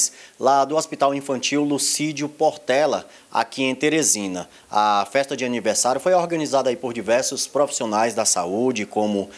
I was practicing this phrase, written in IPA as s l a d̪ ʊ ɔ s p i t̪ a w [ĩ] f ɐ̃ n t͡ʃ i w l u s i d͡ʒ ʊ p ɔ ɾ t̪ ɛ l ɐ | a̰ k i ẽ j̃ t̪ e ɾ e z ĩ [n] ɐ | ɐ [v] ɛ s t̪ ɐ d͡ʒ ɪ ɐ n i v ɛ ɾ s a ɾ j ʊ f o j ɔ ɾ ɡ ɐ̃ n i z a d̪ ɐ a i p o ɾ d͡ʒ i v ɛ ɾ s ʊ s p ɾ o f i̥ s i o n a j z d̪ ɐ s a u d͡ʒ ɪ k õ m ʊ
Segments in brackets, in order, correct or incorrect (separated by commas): correct, correct, incorrect